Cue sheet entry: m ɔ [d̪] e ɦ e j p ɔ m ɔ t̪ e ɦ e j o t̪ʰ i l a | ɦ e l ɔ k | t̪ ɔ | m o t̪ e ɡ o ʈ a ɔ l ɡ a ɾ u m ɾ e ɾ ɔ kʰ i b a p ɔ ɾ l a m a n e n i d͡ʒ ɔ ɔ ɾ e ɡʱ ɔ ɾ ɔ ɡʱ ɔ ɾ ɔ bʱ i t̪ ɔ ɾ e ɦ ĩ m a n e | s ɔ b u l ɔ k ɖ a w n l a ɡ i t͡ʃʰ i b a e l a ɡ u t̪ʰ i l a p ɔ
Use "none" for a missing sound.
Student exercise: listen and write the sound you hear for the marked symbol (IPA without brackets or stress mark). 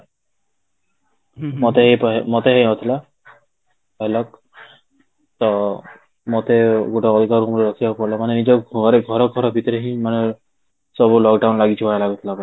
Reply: t̪